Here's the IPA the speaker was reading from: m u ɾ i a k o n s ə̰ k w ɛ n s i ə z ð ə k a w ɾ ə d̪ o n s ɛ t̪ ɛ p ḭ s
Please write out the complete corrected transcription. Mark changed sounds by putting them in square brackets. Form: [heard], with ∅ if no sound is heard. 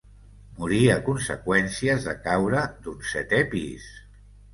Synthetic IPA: m u ɾ i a k [u] n s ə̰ k w ɛ n s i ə z ð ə k a w ɾ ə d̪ [u] n s ɛ t̪ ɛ p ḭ s